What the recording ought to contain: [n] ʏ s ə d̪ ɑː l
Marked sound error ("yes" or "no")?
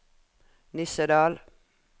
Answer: no